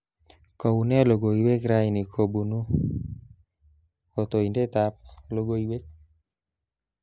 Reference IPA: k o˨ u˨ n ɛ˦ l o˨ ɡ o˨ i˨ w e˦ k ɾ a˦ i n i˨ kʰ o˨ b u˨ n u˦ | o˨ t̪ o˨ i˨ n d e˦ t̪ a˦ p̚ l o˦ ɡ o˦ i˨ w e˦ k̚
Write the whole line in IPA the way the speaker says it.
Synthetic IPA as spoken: k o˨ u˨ n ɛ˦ l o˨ ɡ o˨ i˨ w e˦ k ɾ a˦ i n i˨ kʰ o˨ b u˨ n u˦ | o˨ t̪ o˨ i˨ n d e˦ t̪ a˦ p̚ l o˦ ɡ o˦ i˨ w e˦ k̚